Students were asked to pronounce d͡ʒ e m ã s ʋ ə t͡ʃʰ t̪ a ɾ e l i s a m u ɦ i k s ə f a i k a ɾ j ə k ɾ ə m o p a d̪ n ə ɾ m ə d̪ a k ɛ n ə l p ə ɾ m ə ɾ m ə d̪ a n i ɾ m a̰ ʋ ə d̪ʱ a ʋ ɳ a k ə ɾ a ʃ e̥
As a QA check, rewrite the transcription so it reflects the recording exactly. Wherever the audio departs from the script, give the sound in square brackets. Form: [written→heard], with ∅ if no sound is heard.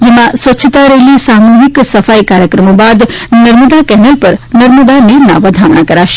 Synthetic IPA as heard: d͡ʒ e m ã s ʋ ə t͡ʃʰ t̪ a ɾ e l i s a m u ɦ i k s ə f a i k a ɾ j ə k ɾ ə m o [p→b] a d̪ n ə ɾ m ə d̪ a k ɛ n ə l p ə ɾ [m→n] ə ɾ m ə d̪ a n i ɾ [m→n] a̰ ʋ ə d̪ʱ a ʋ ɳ a k ə ɾ a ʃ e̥